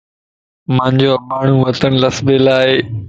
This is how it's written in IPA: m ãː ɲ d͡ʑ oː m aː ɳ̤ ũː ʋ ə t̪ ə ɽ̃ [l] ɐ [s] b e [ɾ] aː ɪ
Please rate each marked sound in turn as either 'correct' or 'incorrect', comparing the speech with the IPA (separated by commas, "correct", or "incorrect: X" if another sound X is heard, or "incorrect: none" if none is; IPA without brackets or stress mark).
correct, correct, incorrect: l